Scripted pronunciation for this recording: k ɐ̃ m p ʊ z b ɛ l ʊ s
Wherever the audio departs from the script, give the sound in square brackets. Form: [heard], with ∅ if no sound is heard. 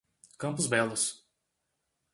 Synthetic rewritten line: k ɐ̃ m p ʊ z b ɛ l ʊ s